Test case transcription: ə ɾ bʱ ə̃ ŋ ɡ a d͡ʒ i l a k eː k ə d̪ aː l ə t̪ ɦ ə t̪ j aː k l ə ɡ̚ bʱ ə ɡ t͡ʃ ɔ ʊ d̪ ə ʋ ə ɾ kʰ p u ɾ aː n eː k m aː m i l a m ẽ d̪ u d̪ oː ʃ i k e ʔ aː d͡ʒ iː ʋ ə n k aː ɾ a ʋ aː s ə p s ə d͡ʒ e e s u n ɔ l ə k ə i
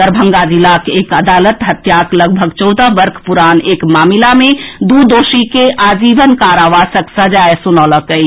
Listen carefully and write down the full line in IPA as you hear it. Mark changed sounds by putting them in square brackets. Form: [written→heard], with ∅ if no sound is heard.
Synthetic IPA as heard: ə ɾ bʱ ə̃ ŋ ɡ a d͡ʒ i l a k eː k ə d̪ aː l ə t̪ ɦ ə t̪ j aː k l ə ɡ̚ bʱ ə ɡ t͡ʃ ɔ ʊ d̪ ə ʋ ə ɾ kʰ p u ɾ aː n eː k m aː m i l a m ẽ d̪ u d̪ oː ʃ i k e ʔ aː d͡ʒ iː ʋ ə n k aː ɾ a ʋ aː s ə [p→k] s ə d͡ʒ [e→a] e s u n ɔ l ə k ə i